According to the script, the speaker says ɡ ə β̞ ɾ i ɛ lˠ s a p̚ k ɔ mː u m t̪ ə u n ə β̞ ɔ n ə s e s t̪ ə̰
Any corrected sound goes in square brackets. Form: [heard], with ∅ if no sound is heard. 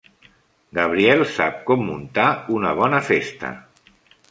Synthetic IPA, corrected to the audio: ɡ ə β̞ ɾ i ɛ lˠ s a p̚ k ɔ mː u [n] t̪ [a] u n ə β̞ ɔ n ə [f] e s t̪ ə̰